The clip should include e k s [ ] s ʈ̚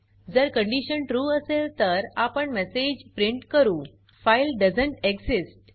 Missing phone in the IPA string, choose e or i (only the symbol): i